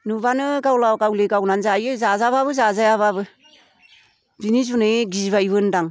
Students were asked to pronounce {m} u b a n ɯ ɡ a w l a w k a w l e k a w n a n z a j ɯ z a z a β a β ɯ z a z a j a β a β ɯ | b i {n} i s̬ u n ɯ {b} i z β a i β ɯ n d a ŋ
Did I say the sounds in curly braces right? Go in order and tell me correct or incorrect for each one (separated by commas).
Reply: incorrect, correct, incorrect